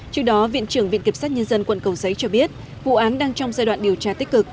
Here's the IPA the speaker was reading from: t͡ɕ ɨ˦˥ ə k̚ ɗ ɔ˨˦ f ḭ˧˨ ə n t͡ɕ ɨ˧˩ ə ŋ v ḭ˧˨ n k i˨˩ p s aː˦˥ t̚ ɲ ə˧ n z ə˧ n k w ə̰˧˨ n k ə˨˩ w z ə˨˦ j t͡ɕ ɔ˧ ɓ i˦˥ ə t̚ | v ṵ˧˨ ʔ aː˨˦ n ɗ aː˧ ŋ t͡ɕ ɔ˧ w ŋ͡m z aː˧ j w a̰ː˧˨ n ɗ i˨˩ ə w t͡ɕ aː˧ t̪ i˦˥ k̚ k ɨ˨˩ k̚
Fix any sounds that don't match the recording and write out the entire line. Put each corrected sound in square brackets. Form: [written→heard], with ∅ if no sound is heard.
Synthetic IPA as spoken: t͡ɕ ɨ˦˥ ə k̚ ɗ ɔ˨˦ [f→v] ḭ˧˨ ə n t͡ɕ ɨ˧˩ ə ŋ v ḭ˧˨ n k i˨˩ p s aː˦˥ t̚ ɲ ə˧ n z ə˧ n k w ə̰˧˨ n k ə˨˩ w z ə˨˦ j t͡ɕ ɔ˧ ɓ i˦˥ ə t̚ | v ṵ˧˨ ʔ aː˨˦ n ɗ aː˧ ŋ t͡ɕ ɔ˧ w ŋ͡m z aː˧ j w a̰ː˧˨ n ɗ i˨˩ ə w t͡ɕ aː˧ t̪ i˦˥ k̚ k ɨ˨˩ k̚